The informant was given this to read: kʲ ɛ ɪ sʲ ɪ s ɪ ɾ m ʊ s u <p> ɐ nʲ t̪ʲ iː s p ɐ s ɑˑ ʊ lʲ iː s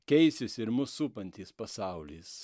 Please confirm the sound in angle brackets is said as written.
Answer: yes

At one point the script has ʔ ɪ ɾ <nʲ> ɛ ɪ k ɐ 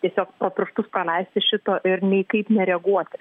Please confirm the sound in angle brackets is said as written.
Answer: yes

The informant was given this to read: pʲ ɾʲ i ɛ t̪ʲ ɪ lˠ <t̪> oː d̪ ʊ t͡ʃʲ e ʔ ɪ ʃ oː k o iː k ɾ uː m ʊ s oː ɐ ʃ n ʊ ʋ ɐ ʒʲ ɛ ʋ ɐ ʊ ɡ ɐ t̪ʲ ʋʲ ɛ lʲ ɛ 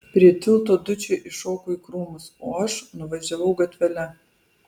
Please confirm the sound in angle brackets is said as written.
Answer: yes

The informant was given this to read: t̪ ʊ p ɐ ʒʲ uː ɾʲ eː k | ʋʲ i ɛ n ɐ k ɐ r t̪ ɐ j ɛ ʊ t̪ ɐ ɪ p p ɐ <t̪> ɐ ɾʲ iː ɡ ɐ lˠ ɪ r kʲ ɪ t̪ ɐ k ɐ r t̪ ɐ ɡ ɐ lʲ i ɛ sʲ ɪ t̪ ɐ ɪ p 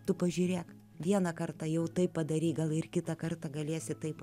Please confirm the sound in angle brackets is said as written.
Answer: no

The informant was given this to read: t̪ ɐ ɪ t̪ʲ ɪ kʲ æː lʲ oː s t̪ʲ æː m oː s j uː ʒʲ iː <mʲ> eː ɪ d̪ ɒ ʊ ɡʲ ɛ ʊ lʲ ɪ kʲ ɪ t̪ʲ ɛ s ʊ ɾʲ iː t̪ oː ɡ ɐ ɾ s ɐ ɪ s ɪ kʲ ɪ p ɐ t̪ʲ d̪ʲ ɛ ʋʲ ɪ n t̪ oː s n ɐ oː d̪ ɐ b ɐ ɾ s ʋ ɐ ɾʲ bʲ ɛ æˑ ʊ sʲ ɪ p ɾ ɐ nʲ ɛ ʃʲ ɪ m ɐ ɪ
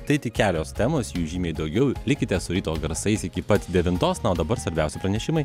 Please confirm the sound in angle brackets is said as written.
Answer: yes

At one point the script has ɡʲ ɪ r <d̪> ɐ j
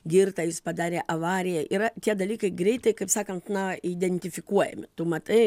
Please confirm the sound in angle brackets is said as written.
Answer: no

